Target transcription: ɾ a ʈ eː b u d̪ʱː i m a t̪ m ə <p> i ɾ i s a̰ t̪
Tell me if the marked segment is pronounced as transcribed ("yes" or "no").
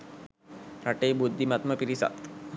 yes